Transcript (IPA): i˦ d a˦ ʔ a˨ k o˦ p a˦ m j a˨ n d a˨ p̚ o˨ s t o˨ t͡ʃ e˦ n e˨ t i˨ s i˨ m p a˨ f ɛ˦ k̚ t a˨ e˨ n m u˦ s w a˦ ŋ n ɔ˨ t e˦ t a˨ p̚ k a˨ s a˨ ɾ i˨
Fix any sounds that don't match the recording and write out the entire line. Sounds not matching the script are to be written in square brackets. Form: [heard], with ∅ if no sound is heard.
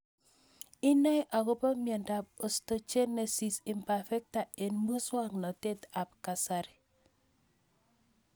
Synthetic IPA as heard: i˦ [n] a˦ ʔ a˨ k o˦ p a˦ m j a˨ n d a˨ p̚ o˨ s t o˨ t͡ʃ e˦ n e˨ [s] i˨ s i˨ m p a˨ f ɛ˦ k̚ t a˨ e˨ n m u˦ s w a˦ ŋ n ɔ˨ t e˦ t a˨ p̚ k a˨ s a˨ ɾ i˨